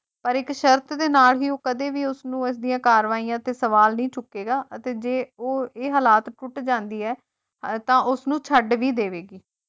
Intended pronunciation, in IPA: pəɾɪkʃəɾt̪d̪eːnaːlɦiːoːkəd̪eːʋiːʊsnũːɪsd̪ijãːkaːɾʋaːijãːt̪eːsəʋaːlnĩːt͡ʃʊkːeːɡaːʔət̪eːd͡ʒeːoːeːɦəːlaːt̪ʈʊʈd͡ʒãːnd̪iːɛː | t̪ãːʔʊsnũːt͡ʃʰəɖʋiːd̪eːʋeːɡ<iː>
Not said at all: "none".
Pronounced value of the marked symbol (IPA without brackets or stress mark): iː